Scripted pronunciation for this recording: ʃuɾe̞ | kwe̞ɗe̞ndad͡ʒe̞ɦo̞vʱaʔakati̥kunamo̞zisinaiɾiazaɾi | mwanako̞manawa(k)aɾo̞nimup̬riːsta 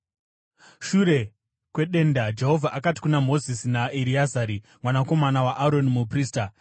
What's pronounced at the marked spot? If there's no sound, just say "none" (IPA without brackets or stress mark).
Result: ʔ